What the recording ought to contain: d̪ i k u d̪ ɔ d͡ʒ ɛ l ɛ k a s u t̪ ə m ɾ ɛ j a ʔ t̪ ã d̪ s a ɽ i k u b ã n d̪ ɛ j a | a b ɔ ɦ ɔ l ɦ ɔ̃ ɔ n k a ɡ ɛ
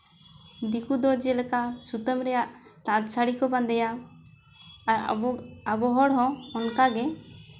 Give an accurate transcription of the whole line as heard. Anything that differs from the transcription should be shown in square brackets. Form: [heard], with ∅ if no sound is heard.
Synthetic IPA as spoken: d̪ i k u d̪ ɔ d͡ʒ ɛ l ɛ k a s u t̪ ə m ɾ ɛ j a ʔ t̪ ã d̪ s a ɽ i k [ɔ] b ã n d̪ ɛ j a | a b ɔ ɦ ɔ [ɽ] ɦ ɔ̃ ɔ n k a ɡ ɛ

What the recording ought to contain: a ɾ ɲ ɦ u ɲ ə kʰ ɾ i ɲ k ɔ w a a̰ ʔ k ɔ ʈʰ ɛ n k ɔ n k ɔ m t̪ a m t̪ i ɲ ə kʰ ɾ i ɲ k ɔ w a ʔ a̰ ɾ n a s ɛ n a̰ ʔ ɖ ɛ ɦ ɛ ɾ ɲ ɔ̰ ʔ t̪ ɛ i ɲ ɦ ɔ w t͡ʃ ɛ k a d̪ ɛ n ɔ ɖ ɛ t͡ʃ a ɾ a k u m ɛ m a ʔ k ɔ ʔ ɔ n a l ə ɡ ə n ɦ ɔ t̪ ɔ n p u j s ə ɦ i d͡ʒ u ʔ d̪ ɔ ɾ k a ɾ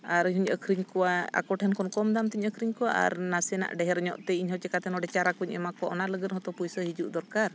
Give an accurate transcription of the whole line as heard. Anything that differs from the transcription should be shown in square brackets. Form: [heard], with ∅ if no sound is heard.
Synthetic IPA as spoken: a ɾ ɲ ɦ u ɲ ə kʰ ɾ i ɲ k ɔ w a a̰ [∅] k ɔ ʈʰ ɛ n k ɔ n k ɔ m [d̪] a m t̪ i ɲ ə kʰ ɾ i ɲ k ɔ w a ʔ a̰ ɾ n a s ɛ n a̰ ʔ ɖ ɛ ɦ ɛ ɾ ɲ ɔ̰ ʔ t̪ ɛ i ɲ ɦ ɔ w t͡ʃ ɛ k a [t̪] ɛ n ɔ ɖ ɛ t͡ʃ a ɾ a k u [ɲ] ɛ m a [∅] k ɔ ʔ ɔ n a l ə ɡ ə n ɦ ɔ t̪ ɔ [∅] p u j s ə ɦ i d͡ʒ u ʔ d̪ ɔ ɾ k a ɾ

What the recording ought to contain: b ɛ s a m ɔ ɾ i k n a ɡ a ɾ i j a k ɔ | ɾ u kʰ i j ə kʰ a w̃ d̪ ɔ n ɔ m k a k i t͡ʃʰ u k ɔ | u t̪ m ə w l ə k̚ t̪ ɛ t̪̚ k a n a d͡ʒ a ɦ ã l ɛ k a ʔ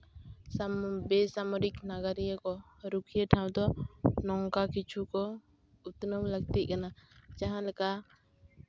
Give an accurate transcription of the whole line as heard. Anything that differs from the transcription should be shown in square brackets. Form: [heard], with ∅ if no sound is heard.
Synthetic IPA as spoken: b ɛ s a m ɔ ɾ i k n a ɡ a ɾ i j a k ɔ | ɾ u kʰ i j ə [ʈʰ] a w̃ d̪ ɔ n ɔ [ŋ] k a k i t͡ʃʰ u k ɔ | u t̪ [n] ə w l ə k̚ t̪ [i] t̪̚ k a n a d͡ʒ a ɦ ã l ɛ k a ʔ

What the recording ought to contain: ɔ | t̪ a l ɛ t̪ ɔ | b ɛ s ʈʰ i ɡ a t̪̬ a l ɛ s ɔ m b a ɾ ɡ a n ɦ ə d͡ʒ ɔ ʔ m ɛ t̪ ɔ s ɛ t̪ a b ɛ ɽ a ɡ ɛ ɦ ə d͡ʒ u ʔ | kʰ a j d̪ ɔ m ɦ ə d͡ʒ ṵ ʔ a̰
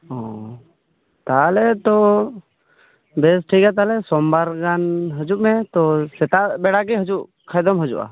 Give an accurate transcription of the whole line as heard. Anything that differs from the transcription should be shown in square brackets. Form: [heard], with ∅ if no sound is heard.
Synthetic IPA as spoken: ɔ | t̪ a l ɛ t̪ ɔ | b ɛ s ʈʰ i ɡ a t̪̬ a l ɛ s ɔ m b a ɾ ɡ a n ɦ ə d͡ʒ [u] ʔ m ɛ t̪ ɔ s ɛ t̪ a b ɛ ɽ a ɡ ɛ ɦ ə d͡ʒ u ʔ | kʰ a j d̪ ɔ m ɦ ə d͡ʒ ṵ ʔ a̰

